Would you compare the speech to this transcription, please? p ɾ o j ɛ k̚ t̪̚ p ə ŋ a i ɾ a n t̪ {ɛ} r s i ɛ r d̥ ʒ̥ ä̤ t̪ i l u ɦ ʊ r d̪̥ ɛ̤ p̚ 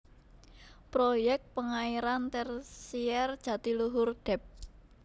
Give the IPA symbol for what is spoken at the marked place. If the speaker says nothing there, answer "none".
ɛ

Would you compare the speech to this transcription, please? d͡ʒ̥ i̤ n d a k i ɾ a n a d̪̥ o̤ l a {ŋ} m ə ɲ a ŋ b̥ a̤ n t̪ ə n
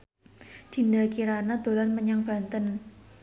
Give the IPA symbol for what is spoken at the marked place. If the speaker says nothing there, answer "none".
n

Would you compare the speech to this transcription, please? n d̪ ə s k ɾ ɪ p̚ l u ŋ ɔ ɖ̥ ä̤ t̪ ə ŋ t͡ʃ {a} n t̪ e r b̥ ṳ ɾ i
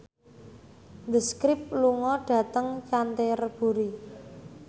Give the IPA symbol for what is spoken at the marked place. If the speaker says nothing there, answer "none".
a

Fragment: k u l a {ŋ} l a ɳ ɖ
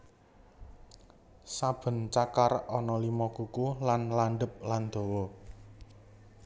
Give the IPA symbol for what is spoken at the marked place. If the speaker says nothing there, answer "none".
n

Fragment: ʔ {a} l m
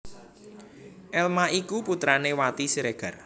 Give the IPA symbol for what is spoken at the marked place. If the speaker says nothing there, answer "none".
ɛ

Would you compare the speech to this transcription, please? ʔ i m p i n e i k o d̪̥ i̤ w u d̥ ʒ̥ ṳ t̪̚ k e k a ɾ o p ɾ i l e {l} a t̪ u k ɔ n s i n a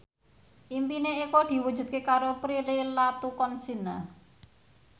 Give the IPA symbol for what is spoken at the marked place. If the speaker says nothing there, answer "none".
l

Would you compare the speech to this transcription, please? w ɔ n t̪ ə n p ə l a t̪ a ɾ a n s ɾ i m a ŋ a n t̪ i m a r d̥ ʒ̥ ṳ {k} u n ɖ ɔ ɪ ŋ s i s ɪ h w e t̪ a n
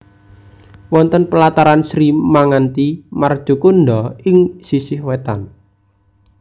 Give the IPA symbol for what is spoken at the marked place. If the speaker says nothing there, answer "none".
k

